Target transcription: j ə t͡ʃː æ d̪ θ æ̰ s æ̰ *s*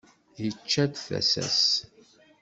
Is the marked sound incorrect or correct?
correct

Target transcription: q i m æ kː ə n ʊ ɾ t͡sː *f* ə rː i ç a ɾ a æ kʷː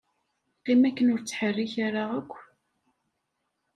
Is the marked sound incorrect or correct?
incorrect: ħ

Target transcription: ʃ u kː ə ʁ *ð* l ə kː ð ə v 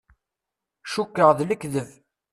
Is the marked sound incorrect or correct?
correct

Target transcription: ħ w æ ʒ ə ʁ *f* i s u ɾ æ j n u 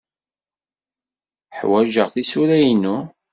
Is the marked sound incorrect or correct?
incorrect: θ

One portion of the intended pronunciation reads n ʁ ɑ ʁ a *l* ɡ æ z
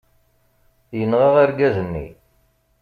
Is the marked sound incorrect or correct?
incorrect: ɾ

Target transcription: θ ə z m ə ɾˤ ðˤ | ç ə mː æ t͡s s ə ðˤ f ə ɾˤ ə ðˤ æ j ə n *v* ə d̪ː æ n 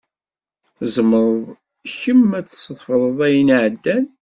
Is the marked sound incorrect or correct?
incorrect: ʕ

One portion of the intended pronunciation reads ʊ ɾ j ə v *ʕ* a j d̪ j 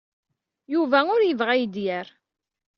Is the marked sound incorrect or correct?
incorrect: ʁ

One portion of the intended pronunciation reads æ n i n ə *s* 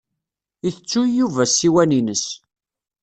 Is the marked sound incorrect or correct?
correct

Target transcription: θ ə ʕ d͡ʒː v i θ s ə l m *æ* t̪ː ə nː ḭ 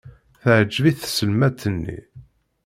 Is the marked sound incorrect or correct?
correct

